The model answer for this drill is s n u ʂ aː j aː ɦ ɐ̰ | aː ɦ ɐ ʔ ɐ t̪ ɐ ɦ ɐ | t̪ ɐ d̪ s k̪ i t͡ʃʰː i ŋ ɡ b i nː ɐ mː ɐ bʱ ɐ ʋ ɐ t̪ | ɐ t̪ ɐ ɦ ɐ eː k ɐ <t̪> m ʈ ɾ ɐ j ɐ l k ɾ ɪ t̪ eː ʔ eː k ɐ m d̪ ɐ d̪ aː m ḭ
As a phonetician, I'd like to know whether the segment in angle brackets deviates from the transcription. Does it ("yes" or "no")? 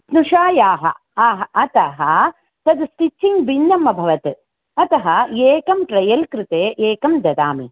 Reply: yes